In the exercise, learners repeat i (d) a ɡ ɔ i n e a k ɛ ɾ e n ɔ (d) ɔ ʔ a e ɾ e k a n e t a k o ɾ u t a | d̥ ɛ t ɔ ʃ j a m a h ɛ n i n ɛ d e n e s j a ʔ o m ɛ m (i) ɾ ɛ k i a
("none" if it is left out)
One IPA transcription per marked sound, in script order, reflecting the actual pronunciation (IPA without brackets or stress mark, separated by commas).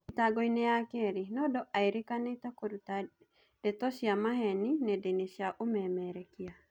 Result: t, d, ɛ